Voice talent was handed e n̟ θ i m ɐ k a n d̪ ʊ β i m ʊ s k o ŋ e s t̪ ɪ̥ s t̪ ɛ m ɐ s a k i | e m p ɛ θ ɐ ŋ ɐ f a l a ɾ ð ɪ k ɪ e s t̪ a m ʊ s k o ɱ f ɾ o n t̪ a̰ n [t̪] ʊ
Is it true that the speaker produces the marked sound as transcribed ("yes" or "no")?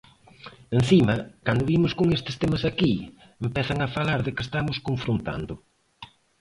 no